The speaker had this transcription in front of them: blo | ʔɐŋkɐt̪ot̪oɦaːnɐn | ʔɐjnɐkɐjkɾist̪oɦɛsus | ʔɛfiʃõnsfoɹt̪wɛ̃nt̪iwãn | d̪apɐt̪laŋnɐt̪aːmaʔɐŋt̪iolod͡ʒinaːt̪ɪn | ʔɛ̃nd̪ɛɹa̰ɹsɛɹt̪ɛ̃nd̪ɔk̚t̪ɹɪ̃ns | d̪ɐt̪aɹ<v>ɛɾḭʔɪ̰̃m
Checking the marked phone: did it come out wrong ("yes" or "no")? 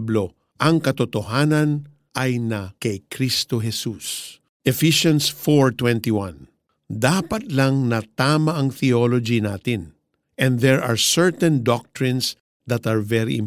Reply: no